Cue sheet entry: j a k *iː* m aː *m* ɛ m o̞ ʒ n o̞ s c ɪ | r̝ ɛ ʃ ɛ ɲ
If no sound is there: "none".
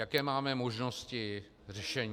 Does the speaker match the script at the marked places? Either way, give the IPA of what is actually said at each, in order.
ɛː, m

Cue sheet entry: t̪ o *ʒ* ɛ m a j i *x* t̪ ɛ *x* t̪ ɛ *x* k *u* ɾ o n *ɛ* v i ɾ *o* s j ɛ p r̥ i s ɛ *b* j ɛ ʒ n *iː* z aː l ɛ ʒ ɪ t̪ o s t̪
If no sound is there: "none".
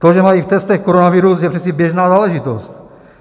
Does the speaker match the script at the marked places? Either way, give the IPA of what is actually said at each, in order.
ʒ, f, s, x, o, a, u, b, aː

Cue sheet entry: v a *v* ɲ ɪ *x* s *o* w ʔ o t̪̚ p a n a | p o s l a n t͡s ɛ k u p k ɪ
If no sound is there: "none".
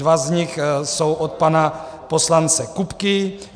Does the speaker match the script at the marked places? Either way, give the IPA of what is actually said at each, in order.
z, x, o

